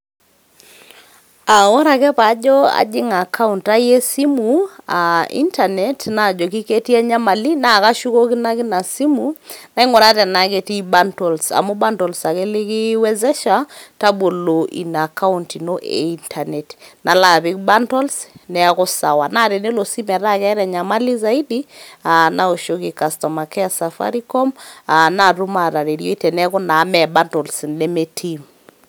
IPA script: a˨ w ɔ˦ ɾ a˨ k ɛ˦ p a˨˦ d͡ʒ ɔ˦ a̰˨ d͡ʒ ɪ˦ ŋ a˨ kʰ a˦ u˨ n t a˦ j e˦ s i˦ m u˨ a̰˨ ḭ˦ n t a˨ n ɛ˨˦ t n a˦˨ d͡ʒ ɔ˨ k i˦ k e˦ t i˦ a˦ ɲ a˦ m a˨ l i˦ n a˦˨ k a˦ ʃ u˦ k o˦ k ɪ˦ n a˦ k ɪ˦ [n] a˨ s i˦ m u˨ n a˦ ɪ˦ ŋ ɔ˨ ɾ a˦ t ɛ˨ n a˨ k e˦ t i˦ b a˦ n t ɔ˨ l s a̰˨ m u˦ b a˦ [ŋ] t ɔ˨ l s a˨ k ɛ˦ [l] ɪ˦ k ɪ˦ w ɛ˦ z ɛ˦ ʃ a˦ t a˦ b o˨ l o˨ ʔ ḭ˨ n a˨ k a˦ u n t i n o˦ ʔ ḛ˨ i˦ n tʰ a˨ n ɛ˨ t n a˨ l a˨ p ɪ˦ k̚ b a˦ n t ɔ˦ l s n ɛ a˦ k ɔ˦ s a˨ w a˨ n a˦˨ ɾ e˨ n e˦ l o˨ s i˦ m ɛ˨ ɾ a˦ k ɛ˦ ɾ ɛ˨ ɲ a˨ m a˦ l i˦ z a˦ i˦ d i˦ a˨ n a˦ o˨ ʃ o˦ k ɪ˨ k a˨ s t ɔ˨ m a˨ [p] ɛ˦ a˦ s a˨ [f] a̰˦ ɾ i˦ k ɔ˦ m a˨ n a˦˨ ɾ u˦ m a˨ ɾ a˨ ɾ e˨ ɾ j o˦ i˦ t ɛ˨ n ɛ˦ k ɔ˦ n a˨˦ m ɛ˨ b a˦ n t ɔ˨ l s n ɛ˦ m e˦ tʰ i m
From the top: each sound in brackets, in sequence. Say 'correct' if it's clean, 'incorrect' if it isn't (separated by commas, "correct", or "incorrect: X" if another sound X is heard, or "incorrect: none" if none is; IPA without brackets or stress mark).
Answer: correct, incorrect: n, correct, incorrect: k, correct